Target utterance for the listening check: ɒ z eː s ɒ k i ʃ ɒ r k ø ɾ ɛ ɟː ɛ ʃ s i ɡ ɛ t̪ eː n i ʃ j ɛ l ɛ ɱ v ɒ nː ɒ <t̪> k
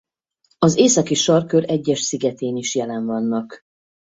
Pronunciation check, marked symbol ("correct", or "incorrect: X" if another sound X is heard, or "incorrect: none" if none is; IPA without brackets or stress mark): incorrect: none